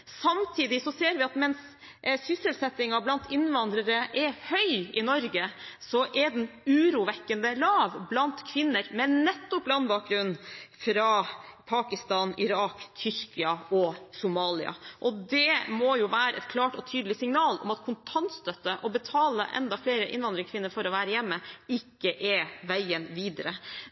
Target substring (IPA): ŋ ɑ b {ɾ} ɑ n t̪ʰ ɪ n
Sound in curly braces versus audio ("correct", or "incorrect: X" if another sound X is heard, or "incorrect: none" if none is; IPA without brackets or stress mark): incorrect: l